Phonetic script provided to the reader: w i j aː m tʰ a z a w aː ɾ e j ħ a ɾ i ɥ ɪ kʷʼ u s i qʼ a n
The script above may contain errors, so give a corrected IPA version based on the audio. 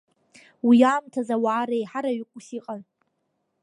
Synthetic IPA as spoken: w i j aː m tʰ a z a w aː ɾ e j ħ a ɾ a ɥ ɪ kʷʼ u s i qʼ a n